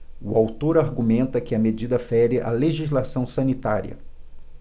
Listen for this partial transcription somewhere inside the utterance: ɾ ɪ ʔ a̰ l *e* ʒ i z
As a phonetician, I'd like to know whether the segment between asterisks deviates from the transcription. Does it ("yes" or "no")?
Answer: no